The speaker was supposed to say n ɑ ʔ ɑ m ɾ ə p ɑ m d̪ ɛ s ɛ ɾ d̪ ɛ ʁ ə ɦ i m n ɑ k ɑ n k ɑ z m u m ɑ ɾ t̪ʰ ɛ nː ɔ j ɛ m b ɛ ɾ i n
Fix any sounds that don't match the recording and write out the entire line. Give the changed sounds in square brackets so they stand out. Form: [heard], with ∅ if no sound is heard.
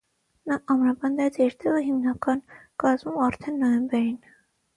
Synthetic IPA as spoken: n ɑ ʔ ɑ m ɾ [ɑ] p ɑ [n] d̪ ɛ [t͡s] ɛ ɾ [t̪] ɛ ʁ ə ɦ i m n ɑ k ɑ n k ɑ z m u m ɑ ɾ t̪ʰ ɛ nː ɔ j ɛ m b ɛ ɾ i n